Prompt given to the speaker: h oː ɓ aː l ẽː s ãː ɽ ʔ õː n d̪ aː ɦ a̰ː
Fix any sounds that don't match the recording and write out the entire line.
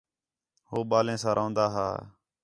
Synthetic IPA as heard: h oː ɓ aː l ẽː s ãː ɾ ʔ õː n d̪ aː ɦ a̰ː